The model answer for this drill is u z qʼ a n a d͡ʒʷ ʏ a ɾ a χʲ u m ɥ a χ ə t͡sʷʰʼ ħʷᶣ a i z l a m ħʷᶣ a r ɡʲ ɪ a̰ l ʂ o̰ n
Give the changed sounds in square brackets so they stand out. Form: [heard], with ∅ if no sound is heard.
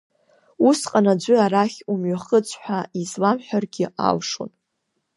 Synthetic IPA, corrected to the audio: u [s] qʼ a n a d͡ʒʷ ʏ a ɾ a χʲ u m ɥ a χ ə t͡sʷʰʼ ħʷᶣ a i z l a m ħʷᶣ a r ɡʲ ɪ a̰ l ʂ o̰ n

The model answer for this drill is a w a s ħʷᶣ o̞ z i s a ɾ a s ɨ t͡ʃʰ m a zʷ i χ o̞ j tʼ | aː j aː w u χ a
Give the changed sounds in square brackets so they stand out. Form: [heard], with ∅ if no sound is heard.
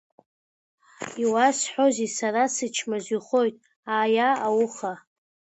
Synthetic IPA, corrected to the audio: [i] w a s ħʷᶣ o̞ z i s a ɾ a s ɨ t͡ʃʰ m a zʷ i χ o̞ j tʼ | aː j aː w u χ a

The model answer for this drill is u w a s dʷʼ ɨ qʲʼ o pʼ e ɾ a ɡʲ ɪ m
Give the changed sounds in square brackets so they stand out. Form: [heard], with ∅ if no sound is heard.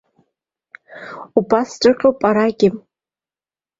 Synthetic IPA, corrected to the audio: u [b] a s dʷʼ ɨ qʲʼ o pʼ [a] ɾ a ɡʲ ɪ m

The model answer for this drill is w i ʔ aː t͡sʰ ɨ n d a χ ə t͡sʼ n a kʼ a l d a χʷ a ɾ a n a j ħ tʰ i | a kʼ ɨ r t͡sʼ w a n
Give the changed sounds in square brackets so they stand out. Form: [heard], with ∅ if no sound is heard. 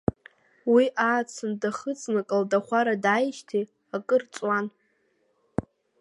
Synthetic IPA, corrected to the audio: w i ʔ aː t͡sʰ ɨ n d a χ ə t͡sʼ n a kʼ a l d a χʷ a ɾ a [d] a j [ʃ] tʰ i | a kʼ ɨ r t͡sʼ w a n

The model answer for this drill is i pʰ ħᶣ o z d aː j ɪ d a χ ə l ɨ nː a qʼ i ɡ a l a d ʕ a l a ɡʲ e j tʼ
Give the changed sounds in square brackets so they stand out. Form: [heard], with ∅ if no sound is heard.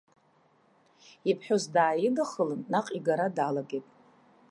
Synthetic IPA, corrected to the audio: i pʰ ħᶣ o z d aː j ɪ d a χ ə l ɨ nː a qʼ i ɡ a [ɾ] a d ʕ a l a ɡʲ e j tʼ

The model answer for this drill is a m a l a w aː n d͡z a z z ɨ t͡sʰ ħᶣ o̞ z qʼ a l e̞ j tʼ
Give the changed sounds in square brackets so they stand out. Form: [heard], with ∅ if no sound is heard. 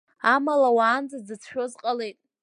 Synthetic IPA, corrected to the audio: a m a l a w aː n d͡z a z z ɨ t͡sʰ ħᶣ o̞ z qʼ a l e̞ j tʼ

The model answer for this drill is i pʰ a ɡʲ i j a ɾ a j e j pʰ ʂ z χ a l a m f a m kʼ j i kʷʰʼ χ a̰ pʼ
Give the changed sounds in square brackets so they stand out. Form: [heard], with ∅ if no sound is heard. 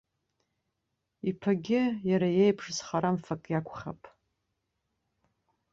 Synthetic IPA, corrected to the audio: i pʰ a ɡʲ [ɪ] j a ɾ a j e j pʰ ʂ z χ a [ɾ] a m f a [∅] kʼ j [a] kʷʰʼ χ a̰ pʼ

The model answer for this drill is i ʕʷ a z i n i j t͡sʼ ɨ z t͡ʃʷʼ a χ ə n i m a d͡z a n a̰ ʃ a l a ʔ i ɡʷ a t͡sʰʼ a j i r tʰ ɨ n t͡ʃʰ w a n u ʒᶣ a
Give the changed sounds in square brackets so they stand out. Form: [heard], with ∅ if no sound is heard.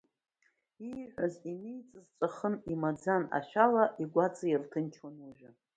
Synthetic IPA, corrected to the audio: i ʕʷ a z i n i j t͡sʼ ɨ z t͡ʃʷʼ a χ ə n i m a d͡z a n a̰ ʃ a l a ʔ i ɡʷ a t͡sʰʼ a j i r tʰ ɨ n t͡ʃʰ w a n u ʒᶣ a

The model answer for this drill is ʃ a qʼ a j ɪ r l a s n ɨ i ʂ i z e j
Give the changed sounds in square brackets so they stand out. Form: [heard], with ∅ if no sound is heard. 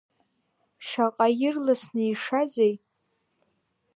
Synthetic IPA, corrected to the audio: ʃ a qʼ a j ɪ r l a s n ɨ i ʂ [a] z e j

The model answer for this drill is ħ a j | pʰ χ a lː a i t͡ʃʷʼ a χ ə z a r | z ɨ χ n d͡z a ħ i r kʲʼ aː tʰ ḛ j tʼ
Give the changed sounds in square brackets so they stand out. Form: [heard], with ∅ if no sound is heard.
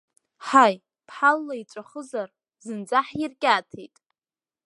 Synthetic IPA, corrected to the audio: ħ a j | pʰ [ħ] a lː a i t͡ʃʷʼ a χ ə z a r | z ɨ [∅] n d͡z a ħ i r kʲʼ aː tʰ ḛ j tʼ

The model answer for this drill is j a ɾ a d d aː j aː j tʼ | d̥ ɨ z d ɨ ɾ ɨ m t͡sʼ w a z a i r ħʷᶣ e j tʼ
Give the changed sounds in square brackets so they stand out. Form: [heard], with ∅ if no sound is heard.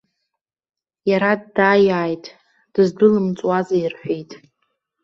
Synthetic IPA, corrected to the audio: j a ɾ a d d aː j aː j tʼ | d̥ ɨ z d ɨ [l] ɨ m t͡sʼ w a z a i r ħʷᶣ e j tʼ

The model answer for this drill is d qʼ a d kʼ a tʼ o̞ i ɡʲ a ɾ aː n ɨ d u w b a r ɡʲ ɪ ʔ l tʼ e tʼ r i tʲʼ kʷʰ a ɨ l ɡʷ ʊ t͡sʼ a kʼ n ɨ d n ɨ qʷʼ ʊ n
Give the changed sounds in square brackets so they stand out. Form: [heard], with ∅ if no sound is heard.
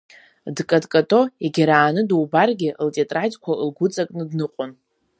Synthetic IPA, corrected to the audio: d [kʼ] a d kʼ a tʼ o̞ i ɡʲ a ɾ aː n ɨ d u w b a r ɡʲ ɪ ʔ l tʼ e tʼ r [a] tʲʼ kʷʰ a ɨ l ɡʷ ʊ t͡sʼ a kʼ n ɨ d n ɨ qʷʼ ʊ n

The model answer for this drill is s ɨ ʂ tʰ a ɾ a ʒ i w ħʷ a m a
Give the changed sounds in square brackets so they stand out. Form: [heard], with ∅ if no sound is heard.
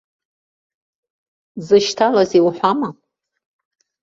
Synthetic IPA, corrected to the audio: [z] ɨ [ʃ] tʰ a [l] a [z] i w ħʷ a m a

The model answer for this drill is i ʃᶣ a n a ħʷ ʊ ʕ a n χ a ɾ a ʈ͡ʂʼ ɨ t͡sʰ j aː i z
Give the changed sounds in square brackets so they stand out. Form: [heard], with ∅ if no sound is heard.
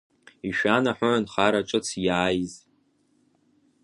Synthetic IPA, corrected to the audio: i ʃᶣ a n a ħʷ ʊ ʕ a n χ a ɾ a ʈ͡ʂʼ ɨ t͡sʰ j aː [j] z

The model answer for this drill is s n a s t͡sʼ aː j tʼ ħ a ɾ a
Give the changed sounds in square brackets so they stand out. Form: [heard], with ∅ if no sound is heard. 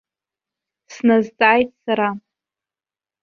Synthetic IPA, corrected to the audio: s n a [z] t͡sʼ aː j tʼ [s] a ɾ a

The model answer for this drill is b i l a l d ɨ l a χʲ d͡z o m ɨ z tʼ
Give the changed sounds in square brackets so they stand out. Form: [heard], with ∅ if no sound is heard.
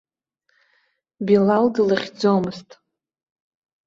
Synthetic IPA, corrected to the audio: b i l a l d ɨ l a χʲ d͡z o m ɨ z tʼ

